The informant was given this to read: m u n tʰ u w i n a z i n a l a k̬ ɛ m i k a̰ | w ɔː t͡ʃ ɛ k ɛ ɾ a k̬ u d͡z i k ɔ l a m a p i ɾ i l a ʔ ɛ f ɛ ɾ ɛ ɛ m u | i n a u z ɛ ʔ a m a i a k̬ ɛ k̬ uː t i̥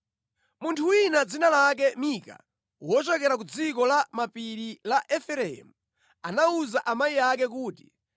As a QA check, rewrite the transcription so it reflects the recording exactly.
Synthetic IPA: m u n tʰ u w i n a d͡z i n a l a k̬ ɛ m i k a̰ | w ɔ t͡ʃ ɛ k ɛ ɾ a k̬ u d͡z i k ɔ l a m a p i ɾ i l a ʔ ɛ f ɛ ɾ ɛ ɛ m u | a n a u z a ʔ a m a i a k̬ ɛ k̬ uː t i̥